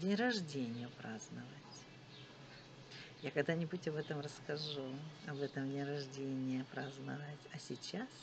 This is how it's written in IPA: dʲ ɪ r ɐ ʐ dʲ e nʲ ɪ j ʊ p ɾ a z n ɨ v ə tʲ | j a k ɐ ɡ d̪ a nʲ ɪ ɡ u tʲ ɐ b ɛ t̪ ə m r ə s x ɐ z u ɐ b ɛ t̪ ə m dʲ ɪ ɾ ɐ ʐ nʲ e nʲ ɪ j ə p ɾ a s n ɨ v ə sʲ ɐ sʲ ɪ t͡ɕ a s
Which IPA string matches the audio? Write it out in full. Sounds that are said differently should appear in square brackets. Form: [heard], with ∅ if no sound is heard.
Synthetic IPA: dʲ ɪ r ɐ ʐ dʲ e nʲ ɪ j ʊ p ɾ a z n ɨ v ə tʲ | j a k ɐ ɡ d̪ a nʲ ɪ [b] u tʲ ɐ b ɛ t̪ ə m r ə s [k] ɐ [ʐ] u ɐ b ɛ t̪ ə m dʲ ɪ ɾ ɐ ʐ [dʲ] e nʲ ɪ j ə p ɾ a [z] n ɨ v ə [tʲ] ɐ sʲ ɪ t͡ɕ a s